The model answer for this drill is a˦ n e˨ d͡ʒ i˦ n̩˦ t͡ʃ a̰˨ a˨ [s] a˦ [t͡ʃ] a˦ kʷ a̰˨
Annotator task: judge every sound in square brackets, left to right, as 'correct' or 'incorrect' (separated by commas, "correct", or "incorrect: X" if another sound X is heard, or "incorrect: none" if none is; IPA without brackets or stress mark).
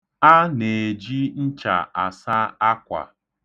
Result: correct, incorrect: none